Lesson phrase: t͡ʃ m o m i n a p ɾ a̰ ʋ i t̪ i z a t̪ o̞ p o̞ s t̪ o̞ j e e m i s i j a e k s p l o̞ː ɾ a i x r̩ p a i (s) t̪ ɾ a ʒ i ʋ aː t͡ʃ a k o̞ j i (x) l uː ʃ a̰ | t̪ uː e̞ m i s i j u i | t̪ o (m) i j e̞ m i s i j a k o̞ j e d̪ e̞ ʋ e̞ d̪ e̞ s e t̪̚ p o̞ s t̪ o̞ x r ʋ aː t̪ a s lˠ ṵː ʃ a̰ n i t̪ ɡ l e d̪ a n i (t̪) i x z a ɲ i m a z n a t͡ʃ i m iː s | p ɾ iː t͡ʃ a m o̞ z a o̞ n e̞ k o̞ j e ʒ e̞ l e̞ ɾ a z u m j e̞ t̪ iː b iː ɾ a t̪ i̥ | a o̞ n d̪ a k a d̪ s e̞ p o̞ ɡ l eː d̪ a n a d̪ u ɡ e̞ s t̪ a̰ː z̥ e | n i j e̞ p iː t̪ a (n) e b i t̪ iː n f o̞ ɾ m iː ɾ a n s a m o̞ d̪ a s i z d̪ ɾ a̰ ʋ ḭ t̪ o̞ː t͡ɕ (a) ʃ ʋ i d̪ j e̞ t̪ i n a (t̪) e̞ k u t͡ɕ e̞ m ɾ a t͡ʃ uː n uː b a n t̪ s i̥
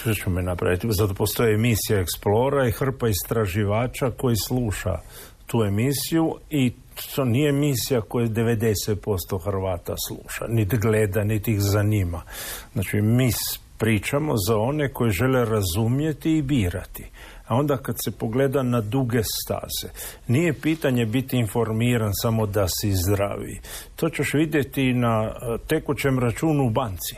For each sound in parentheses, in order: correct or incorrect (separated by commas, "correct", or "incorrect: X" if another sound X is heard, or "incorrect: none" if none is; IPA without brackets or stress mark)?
correct, incorrect: s, incorrect: n, correct, incorrect: ɲ, incorrect: e, correct